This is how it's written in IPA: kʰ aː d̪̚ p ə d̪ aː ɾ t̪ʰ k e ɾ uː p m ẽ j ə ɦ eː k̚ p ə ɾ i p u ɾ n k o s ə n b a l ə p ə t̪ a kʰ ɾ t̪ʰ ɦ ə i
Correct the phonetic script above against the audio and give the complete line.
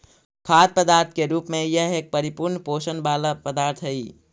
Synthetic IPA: kʰ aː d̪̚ p ə d̪ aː ɾ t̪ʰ k e ɾ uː p m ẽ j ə ɦ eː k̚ p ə ɾ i p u ɾ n p o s ə n b a l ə p ə d̪ a ɾ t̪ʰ ɦ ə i